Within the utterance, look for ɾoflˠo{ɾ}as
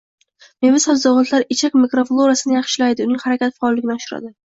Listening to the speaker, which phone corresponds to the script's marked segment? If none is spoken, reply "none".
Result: ɾ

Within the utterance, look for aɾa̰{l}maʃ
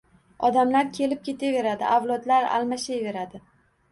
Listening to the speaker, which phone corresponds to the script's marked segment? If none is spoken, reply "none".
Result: l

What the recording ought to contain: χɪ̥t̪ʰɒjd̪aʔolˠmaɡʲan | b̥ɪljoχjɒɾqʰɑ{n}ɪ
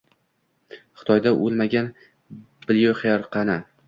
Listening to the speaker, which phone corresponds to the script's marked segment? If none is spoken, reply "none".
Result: n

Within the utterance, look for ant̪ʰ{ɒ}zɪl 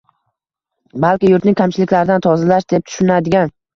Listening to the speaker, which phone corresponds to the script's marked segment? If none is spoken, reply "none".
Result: ɒ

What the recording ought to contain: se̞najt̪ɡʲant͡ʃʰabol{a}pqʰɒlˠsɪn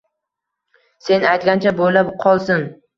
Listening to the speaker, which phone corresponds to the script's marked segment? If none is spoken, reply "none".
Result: a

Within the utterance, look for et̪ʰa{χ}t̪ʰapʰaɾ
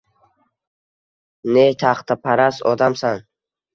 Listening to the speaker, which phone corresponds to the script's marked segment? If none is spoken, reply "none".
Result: χ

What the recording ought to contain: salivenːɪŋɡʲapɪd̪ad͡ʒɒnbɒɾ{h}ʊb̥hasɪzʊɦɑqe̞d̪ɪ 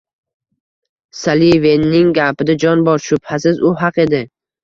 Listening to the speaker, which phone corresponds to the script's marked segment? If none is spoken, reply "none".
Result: ʃ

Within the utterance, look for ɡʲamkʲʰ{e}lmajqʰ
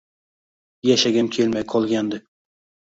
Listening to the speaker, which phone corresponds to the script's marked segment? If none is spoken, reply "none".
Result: e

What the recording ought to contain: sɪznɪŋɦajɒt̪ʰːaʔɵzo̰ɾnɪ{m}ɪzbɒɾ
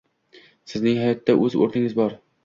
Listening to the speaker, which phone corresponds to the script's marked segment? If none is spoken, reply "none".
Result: ŋ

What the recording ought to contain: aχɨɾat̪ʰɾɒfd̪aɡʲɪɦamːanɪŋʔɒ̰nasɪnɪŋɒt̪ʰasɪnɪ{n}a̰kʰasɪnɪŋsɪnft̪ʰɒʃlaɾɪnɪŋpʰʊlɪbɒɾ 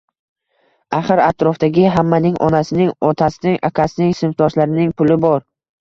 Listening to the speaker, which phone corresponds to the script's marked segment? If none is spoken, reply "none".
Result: ŋ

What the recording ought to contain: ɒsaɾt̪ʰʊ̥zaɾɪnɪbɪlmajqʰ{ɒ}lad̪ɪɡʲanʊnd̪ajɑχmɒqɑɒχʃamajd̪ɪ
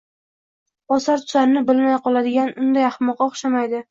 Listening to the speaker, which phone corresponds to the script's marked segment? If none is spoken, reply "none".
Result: ɒ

